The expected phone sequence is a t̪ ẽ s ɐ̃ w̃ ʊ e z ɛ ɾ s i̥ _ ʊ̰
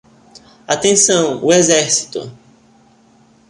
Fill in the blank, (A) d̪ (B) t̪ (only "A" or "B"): B